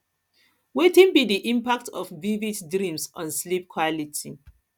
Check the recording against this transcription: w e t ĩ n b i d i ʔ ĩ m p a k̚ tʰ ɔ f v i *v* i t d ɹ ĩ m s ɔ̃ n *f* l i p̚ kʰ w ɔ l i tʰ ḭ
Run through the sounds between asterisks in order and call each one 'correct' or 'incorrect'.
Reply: correct, incorrect: s

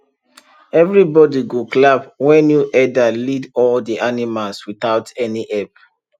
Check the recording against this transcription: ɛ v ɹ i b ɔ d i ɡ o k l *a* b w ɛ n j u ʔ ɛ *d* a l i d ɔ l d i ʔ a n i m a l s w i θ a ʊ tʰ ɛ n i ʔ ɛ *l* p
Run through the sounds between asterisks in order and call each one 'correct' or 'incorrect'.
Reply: correct, correct, incorrect: none

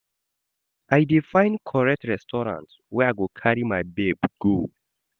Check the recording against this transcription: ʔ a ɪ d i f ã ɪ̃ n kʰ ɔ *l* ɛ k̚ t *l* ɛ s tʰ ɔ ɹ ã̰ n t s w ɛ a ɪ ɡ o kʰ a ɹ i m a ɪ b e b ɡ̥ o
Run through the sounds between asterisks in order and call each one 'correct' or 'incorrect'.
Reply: incorrect: ɹ, incorrect: ɹ

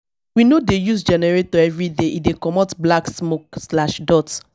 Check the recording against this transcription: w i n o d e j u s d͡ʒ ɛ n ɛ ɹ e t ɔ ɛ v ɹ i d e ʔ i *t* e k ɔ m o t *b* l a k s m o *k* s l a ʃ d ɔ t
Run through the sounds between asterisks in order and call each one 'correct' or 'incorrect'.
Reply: incorrect: d, correct, correct

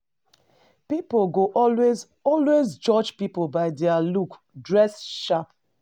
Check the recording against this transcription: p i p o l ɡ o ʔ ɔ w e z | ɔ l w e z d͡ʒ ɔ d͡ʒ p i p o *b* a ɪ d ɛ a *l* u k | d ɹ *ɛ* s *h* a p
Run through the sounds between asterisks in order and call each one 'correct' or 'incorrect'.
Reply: correct, correct, correct, incorrect: ʃ

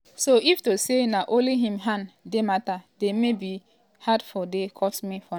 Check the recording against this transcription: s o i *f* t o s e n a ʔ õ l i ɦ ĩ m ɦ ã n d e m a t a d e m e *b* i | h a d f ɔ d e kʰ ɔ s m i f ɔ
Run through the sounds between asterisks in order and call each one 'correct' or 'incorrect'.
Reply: correct, correct

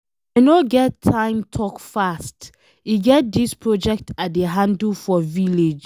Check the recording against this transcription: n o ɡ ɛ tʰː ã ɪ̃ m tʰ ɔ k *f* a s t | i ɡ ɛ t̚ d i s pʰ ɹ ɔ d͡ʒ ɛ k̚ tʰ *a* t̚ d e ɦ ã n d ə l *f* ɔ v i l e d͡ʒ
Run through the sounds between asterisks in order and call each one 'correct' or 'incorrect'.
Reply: correct, correct, correct

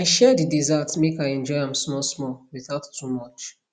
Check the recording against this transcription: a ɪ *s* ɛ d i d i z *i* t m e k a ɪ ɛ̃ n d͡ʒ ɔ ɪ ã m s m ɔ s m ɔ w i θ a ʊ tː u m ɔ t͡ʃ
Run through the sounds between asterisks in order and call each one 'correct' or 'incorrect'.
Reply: incorrect: ʃ, incorrect: a

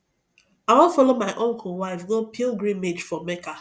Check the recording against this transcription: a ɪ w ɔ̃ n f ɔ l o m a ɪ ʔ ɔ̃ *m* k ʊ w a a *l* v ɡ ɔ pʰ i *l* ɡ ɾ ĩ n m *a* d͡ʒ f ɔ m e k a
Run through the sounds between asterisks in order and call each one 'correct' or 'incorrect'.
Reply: incorrect: ŋ, incorrect: none, correct, incorrect: e

